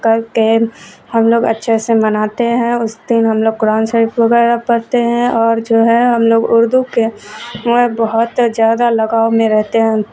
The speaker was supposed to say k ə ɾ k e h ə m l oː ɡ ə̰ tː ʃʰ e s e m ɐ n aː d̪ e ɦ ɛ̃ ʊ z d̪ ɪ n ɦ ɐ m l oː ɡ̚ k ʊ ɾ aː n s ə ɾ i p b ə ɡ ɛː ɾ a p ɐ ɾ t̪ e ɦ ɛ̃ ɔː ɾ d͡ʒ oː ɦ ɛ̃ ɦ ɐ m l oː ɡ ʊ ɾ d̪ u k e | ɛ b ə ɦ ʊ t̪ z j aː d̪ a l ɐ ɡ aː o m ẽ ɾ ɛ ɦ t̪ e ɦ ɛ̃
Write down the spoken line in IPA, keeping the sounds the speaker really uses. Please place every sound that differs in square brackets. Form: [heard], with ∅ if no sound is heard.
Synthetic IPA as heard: k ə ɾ k e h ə m l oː ɡ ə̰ tː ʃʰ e s e m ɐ n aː [t̪] e ɦ ɛ̃ ʊ [s] d̪ ɪ n ɦ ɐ m l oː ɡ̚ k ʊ ɾ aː n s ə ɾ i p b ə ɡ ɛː ɾ a p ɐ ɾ t̪ e ɦ ɛ̃ ɔː ɾ d͡ʒ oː ɦ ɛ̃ ɦ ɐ m l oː ɡ ʊ ɾ d̪ u k e | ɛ b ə ɦ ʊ t̪ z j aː d̪ a l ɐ ɡ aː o m ẽ ɾ ɛ ɦ t̪ e ɦ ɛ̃

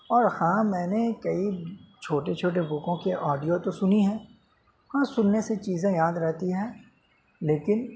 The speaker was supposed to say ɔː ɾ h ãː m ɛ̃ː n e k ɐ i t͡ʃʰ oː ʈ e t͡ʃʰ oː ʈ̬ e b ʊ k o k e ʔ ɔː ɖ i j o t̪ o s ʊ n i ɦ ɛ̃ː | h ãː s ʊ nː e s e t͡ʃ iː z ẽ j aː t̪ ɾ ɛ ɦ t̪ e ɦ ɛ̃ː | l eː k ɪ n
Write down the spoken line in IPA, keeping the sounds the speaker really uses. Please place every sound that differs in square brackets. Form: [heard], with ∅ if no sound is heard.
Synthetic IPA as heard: ɔː ɾ h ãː m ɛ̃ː n e k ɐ i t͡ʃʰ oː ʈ e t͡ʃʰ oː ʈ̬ e b ʊ k [õ] k e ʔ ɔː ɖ i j o t̪ o s ʊ n i ɦ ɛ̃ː | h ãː s ʊ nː e s e t͡ʃ iː z ẽ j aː [d̪] ɾ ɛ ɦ t̪ [i] ɦ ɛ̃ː | l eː k ɪ n

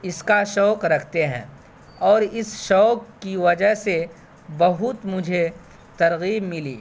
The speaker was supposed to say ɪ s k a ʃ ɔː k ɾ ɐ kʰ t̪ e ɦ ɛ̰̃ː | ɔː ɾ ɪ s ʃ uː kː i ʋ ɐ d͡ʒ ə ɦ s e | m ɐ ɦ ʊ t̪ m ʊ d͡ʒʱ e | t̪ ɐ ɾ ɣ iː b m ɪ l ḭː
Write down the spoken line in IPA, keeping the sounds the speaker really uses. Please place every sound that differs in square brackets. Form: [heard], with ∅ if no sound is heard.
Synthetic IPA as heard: ɪ s k a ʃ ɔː k ɾ ɐ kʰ t̪ e ɦ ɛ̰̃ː | ɔː ɾ ɪ s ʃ [ɔː] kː i ʋ ɐ d͡ʒ ə ɦ s e | [b] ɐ ɦ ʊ t̪ m ʊ d͡ʒʱ e | t̪ ɐ ɾ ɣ iː b m ɪ l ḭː

